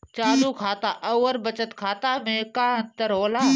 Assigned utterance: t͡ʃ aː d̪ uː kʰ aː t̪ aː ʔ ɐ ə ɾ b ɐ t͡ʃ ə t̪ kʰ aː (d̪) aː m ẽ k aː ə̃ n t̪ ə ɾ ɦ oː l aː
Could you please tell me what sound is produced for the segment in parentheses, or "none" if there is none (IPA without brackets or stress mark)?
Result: t̪